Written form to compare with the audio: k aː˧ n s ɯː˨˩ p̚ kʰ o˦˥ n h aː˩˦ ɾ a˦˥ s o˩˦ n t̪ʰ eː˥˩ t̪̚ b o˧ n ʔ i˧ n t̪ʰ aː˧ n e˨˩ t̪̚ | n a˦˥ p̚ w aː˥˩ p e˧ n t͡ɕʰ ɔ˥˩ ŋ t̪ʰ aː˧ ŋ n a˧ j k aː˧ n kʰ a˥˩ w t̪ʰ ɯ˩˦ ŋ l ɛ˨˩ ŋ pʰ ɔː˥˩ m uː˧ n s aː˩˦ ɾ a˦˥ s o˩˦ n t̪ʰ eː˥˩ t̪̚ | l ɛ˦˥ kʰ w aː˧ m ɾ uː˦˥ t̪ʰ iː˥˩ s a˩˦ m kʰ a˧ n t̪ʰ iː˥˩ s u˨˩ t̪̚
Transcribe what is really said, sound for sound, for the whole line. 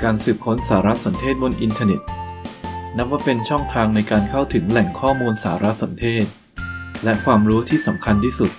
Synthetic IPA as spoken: k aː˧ n s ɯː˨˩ p̚ kʰ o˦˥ n s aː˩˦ ɾ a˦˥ s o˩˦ n t̪ʰ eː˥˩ t̪̚ b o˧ n ʔ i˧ n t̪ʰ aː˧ n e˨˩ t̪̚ | n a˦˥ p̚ w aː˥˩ p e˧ n t͡ɕʰ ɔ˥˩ ŋ t̪ʰ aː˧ ŋ n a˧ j k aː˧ n kʰ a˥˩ w t̪ʰ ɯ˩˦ ŋ l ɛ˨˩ ŋ kʰ ɔː˥˩ m uː˧ n s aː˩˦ ɾ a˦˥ s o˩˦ n t̪ʰ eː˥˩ t̪̚ | l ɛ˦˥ kʰ w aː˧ m ɾ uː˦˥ t̪ʰ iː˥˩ s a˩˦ m kʰ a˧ n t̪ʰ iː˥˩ s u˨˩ t̪̚